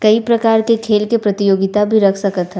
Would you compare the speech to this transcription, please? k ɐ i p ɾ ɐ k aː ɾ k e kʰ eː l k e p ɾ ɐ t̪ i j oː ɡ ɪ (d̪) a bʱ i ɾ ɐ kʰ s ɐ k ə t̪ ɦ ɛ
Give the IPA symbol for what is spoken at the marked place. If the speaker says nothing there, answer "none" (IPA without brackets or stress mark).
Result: t̪